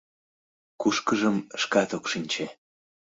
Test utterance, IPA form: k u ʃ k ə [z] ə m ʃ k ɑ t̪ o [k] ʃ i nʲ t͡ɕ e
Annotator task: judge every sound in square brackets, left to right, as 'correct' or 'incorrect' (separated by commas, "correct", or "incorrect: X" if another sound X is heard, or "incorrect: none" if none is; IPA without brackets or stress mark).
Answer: incorrect: ʒ, correct